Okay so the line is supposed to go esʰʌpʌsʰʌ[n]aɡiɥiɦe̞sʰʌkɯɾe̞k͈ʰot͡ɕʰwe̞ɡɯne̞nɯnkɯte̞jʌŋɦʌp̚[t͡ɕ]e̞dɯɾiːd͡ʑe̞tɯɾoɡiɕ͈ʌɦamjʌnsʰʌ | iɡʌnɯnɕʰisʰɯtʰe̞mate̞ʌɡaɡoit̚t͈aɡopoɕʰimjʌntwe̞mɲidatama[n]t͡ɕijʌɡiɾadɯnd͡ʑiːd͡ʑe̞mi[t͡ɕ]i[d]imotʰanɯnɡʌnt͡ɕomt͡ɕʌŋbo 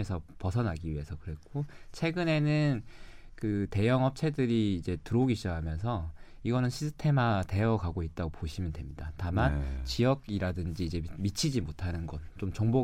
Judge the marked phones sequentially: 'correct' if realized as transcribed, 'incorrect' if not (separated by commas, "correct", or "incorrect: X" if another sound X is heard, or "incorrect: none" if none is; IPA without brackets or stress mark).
correct, incorrect: t͡ɕʰ, correct, incorrect: t͡ɕʰ, incorrect: d͡ʑ